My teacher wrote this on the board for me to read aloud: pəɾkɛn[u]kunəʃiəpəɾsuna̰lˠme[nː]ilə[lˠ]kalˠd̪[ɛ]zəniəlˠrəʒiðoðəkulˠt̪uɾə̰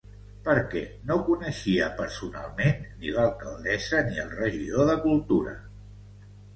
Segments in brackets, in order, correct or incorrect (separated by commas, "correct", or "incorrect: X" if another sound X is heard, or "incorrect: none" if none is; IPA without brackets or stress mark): incorrect: o, correct, correct, correct